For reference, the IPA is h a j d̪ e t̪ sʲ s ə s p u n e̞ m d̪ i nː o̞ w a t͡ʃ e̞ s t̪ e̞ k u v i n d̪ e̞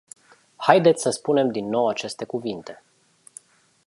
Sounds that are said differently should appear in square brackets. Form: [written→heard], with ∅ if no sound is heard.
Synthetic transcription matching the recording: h a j d̪ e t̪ sʲ s ə s p u n e̞ m d̪ i nː o̞ w a t͡ʃ e̞ s t̪ e̞ k u v i n [d̪→t̪] e̞